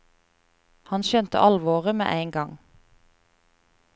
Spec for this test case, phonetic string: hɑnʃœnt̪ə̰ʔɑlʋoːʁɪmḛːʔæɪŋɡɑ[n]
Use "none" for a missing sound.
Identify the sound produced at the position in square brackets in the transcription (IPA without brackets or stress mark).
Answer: ŋ